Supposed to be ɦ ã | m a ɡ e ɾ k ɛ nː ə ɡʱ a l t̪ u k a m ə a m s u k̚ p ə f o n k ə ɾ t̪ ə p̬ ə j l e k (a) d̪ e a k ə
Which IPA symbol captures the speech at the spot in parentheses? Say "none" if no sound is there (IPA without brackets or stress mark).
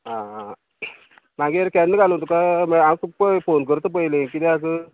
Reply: i